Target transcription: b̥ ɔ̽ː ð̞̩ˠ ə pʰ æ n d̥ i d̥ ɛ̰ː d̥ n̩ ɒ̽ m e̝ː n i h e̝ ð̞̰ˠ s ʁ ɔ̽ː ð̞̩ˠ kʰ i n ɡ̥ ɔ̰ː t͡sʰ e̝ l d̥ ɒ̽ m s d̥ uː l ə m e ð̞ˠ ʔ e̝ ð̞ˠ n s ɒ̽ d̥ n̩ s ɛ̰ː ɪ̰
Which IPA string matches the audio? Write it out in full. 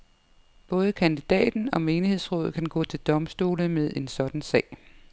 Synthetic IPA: b̥ ɔ̽ː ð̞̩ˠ ə kʰ æ n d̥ i d̥ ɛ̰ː d̥ n̩ ɒ̽ m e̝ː n i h e̝ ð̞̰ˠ s ʁ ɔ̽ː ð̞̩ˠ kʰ æ n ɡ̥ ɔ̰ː t͡sʰ e̝ l d̥ ɒ̽ m s d̥ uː l ə m e ð̞ˠ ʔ e̝ n s ɒ̽ d̥ n̩ s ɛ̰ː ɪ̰